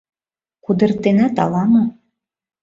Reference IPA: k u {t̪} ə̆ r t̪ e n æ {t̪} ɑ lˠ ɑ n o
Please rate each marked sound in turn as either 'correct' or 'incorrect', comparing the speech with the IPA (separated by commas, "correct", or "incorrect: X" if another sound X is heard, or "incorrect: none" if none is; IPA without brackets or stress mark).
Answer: incorrect: d̪, correct